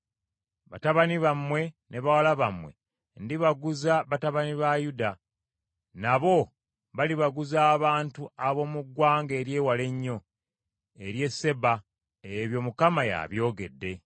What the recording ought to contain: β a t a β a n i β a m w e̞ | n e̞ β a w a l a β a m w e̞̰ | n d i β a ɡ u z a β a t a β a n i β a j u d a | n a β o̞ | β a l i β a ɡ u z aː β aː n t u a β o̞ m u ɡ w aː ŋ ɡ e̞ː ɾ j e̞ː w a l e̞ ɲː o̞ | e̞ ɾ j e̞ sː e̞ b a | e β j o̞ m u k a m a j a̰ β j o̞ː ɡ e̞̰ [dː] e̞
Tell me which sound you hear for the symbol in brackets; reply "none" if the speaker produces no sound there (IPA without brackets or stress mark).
dː